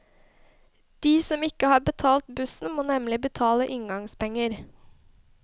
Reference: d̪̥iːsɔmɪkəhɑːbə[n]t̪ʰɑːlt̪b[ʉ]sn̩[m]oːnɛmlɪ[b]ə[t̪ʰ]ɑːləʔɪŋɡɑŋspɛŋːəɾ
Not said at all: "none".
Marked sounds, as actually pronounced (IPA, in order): none, ʉ, m, b, t̪ʰ

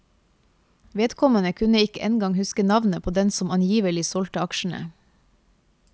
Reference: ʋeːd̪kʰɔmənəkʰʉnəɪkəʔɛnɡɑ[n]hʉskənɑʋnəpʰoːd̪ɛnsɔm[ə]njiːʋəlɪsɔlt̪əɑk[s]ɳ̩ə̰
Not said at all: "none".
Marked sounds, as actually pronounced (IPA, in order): ŋ, ɑ, ʃ

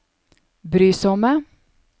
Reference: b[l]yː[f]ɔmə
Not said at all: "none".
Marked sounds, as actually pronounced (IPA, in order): ɾ, s

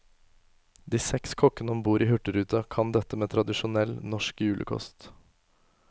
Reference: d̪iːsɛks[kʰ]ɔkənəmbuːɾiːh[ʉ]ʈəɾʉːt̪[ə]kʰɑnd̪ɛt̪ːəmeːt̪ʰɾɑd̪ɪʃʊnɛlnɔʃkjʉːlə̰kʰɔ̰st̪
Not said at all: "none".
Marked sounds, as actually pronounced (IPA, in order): kʰ, ʉ, ɑ

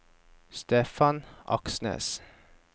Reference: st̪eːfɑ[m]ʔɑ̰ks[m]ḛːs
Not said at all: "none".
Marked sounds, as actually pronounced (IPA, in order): n, n

